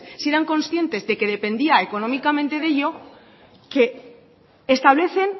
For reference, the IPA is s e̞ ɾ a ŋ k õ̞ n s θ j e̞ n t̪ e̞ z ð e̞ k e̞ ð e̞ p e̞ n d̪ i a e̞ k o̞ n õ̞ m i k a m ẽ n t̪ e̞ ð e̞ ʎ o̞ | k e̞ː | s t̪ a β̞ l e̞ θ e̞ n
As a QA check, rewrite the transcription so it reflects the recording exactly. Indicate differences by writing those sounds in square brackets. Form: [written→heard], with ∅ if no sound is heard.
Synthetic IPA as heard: s e̞ ɾ a ŋ k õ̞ n s θ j e̞ n t̪ e̞ z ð e̞ k e̞ ð e̞ p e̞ n d̪ i a e̞ k o̞ n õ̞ m i k a m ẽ n t̪ e̞ ð e̞ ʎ o̞ | k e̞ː | s t̪ a β̞ l e̞ θ e̞ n